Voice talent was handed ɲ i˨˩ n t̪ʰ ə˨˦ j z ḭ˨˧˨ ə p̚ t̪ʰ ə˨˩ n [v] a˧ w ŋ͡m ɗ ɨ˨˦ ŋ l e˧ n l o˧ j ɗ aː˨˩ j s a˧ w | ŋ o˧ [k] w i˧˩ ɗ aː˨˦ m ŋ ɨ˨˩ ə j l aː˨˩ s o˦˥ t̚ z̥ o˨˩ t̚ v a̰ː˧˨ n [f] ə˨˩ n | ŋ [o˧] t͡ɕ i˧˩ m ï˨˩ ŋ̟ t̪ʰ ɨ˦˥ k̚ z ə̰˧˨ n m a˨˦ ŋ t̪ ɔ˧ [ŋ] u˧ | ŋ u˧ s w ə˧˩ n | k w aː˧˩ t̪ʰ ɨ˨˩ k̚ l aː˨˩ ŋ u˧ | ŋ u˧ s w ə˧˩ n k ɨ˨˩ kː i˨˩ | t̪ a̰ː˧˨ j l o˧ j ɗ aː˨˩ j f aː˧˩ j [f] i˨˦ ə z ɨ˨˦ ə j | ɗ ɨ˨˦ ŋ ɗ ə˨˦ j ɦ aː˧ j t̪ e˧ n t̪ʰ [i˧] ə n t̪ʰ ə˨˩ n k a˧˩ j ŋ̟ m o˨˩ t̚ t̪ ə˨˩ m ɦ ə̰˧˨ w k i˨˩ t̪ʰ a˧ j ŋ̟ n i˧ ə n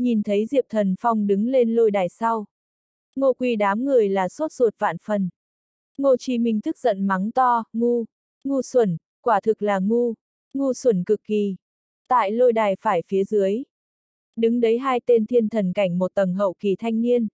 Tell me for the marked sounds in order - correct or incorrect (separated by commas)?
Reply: incorrect, correct, correct, correct, correct, correct, correct